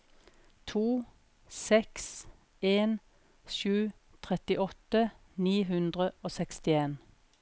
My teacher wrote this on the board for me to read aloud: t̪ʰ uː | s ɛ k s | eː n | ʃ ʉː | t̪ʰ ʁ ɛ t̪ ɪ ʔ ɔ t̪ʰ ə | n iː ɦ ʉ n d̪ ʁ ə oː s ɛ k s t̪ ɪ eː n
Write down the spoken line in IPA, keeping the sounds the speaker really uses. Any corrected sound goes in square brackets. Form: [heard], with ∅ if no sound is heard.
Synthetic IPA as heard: t̪ʰ uː | s ɛ k s | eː n | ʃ ʉː | t̪ʰ ʁ ɛ t̪ ɪ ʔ ɔ [t̪] ə | n iː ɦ ʉ n d̪ ʁ ə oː s ɛ k s t̪ ɪ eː n